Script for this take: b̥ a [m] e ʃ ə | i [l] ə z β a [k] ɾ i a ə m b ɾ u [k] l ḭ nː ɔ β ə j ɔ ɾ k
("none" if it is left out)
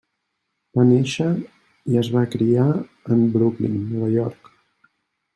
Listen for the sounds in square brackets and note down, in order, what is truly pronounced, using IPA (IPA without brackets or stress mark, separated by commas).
n, none, k, k